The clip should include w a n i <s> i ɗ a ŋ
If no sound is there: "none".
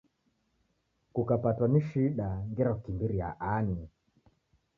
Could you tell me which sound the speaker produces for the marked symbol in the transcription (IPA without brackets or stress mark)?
ʃ